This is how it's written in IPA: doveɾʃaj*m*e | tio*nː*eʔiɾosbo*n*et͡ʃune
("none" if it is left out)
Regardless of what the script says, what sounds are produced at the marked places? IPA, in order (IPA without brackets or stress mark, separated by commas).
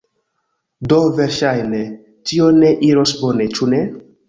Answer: n, n, n